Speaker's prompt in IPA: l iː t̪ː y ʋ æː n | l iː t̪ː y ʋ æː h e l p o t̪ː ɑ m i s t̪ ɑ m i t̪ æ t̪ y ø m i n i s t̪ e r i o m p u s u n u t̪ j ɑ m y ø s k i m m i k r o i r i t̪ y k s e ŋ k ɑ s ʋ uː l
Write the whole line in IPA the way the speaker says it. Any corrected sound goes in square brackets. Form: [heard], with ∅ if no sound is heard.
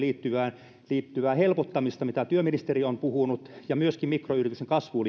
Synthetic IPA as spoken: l iː t̪ː y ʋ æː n | l iː t̪ː y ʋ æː h e l p o t̪ː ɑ m i s t̪ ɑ m i t̪ æ t̪ y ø m i n i s t̪ e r i o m p u [h] u n u t̪ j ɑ m y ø s k i m m i k r o [y] r i t̪ y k s e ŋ k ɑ s ʋ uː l